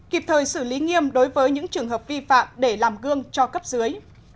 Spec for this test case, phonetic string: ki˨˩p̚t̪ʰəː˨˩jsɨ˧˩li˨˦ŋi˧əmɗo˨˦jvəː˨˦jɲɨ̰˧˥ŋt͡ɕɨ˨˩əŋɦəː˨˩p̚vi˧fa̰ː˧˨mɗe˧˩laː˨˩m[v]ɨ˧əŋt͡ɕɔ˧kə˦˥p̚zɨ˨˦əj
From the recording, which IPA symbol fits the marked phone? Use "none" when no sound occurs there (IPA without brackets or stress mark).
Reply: ɣ